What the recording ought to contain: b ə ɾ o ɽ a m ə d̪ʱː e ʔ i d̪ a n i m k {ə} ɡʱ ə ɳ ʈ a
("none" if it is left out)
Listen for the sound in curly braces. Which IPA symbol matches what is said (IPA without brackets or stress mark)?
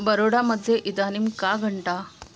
a